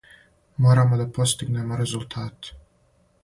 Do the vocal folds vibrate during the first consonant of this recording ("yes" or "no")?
yes